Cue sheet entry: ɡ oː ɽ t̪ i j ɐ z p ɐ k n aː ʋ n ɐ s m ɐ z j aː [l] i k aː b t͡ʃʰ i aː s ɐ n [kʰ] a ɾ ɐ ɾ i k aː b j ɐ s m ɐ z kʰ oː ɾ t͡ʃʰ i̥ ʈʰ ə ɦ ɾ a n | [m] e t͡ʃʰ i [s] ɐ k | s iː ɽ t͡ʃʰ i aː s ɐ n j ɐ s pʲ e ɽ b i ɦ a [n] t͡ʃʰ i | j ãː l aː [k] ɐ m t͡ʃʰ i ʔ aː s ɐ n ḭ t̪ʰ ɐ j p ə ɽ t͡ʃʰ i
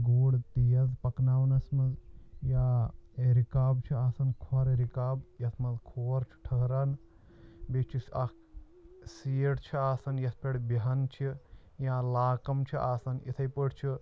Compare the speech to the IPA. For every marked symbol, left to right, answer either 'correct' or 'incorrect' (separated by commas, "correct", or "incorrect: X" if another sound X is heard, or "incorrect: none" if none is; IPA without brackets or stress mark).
incorrect: ɾ, correct, incorrect: b, correct, correct, correct